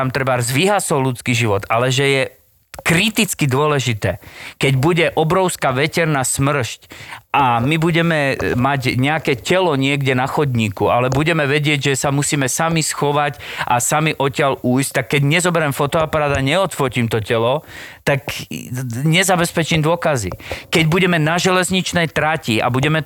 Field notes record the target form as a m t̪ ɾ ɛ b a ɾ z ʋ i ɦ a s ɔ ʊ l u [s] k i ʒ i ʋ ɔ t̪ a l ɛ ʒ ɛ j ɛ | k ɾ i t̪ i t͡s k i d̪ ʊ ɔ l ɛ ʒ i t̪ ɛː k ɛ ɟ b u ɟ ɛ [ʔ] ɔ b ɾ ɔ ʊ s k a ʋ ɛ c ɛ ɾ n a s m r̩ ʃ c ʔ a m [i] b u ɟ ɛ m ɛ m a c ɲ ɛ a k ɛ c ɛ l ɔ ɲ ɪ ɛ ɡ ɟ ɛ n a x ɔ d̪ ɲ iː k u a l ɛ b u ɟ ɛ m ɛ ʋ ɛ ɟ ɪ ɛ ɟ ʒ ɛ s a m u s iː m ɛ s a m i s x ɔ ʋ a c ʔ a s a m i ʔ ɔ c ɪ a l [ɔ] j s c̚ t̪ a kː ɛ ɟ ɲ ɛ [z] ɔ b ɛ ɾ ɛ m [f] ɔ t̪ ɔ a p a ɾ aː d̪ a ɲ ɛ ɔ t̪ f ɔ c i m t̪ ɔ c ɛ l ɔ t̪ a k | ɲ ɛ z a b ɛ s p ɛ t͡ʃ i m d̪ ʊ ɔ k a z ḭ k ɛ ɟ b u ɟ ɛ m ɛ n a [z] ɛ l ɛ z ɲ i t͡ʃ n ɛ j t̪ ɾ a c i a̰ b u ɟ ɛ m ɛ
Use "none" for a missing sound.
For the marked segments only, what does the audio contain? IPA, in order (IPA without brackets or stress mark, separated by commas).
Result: t͡s, ʔ, i, u, z, f, ʒ